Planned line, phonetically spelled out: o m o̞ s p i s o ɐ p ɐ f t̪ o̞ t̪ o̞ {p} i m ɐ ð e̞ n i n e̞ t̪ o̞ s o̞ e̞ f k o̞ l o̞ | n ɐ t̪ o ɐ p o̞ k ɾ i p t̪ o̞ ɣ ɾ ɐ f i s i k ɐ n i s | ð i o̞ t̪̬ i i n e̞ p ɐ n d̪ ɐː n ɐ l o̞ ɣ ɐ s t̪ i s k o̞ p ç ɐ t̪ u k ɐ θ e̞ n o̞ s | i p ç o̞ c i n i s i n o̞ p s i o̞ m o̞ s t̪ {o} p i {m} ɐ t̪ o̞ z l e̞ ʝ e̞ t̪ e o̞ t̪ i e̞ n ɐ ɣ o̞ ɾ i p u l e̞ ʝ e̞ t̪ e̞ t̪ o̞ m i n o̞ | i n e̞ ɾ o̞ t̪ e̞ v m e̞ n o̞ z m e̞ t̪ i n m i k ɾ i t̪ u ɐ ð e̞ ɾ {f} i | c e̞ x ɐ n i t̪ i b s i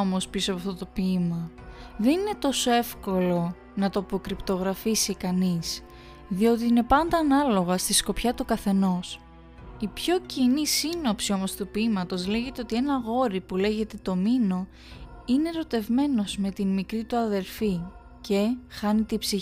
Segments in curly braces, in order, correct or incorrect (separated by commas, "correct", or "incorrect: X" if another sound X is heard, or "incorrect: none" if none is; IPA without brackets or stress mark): correct, incorrect: u, correct, correct